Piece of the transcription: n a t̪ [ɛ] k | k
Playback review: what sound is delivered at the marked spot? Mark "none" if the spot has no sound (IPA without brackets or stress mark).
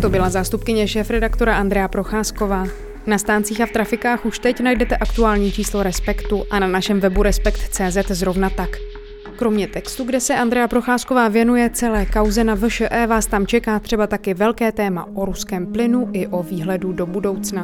a